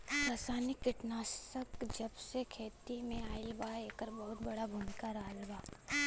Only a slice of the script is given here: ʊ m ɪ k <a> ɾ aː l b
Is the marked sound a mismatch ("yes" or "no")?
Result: no